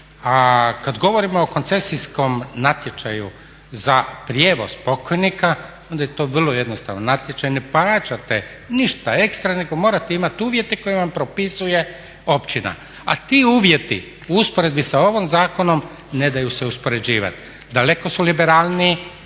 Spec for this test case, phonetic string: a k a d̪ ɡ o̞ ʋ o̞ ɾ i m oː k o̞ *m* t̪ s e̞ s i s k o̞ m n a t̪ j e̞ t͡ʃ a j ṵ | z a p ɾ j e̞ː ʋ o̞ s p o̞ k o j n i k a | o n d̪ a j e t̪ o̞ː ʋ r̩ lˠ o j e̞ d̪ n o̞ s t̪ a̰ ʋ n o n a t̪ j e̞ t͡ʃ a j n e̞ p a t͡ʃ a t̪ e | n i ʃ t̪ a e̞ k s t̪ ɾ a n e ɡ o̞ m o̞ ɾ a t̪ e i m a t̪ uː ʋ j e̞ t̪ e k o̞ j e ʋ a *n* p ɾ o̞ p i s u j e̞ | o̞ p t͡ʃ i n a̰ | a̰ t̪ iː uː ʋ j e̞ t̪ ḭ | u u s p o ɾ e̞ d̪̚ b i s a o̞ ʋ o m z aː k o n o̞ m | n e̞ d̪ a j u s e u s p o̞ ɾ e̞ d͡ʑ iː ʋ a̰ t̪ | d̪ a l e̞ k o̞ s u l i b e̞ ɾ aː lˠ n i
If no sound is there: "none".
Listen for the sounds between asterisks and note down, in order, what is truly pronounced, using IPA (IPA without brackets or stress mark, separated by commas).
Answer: n, m